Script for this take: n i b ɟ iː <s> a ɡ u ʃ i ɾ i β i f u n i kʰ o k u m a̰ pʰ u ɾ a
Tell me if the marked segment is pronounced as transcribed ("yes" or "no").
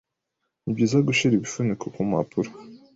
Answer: no